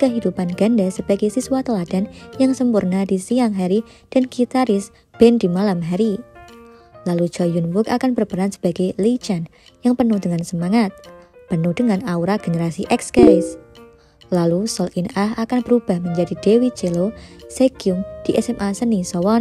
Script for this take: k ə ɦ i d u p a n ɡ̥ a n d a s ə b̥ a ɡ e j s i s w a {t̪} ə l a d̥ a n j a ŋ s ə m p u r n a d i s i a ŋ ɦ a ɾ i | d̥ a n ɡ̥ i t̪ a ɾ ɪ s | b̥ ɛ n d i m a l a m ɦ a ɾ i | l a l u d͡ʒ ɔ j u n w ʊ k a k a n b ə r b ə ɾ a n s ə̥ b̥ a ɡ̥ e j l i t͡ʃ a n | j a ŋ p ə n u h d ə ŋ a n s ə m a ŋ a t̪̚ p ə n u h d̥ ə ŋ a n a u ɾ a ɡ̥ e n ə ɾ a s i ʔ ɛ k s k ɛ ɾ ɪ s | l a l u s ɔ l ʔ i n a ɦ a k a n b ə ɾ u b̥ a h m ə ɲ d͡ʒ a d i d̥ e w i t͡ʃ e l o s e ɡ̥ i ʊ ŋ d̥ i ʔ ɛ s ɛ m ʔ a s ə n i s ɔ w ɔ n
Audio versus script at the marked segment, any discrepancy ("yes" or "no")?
no